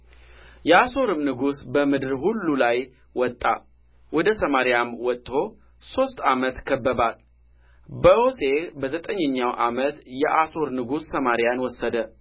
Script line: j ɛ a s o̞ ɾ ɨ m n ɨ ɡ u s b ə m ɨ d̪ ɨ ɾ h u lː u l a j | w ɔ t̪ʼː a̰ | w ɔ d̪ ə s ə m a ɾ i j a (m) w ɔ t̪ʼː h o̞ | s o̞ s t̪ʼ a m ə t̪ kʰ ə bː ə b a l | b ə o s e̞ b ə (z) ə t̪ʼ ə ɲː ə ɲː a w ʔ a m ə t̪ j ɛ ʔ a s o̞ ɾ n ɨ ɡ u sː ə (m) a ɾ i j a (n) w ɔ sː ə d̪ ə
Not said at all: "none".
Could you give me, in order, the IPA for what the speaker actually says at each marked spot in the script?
m, z, m, n

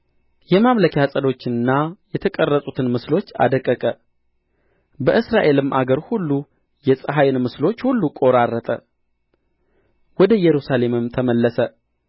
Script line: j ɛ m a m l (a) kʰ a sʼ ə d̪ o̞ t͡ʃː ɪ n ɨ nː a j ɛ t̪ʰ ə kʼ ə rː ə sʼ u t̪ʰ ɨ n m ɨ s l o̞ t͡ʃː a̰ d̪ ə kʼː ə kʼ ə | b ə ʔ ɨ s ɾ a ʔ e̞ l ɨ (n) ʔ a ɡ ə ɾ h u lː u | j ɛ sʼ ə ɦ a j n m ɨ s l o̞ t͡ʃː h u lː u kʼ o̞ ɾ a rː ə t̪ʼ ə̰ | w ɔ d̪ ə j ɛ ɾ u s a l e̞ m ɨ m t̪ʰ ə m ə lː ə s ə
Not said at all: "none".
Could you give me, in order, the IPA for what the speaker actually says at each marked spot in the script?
ə, m

